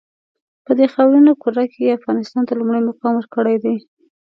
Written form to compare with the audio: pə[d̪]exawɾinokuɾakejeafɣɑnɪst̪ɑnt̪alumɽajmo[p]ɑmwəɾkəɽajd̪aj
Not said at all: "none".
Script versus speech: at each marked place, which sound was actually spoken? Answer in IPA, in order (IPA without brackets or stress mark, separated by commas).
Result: d̪, q